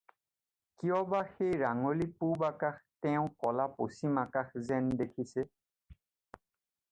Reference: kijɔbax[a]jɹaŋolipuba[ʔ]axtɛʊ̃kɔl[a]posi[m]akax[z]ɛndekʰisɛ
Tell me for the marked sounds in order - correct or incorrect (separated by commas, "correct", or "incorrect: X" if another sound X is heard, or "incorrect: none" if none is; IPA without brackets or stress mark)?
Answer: incorrect: e, incorrect: k, correct, correct, correct